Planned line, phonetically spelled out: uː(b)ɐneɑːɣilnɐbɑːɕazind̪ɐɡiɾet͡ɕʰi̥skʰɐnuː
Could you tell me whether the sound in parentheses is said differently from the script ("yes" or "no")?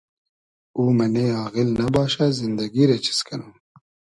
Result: yes